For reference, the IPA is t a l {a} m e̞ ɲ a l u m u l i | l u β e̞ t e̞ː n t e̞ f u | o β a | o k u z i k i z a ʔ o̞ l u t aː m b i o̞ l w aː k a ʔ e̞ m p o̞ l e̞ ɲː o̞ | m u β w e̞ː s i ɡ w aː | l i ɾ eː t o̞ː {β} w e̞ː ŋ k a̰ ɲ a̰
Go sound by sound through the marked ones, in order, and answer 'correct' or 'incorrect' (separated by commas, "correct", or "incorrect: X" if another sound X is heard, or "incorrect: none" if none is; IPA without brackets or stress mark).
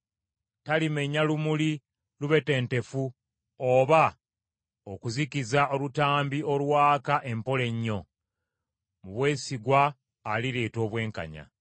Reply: incorrect: i, correct